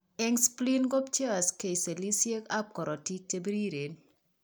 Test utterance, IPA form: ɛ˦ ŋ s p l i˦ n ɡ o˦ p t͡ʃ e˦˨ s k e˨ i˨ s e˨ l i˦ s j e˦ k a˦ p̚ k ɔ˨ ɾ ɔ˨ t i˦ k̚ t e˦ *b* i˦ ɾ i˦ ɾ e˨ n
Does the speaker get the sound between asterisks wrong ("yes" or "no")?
no